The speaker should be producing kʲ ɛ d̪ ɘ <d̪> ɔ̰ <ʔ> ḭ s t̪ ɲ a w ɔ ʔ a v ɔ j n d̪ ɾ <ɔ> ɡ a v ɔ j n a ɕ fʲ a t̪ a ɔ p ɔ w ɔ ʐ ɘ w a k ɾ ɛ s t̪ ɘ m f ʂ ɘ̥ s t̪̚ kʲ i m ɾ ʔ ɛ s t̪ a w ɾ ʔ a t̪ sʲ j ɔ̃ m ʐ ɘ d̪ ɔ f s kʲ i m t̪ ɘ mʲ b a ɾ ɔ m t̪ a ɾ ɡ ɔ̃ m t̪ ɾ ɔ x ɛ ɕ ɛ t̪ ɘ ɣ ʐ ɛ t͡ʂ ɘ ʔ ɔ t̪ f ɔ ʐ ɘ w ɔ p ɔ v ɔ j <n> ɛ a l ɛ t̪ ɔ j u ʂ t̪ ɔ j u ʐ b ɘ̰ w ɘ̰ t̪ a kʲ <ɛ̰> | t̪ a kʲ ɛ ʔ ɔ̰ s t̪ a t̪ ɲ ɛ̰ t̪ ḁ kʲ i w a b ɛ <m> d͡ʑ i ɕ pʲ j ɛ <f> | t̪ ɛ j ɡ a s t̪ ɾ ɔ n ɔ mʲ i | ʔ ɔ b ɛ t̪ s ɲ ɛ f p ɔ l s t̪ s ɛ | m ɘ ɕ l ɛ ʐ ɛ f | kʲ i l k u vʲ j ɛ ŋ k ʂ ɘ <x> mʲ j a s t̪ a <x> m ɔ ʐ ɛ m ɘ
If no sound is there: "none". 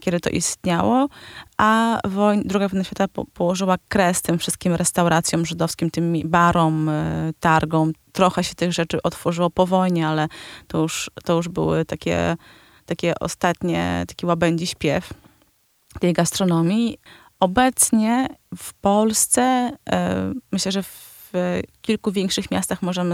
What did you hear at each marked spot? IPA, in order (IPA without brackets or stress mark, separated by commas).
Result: t̪, ʔ, u, ɲ, ɛ̰, ɲ, f, x, x